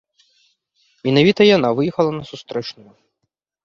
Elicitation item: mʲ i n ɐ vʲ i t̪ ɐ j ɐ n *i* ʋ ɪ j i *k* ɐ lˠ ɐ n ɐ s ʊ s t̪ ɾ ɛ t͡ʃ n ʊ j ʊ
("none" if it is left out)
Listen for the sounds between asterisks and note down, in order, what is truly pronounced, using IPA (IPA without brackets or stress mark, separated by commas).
a, x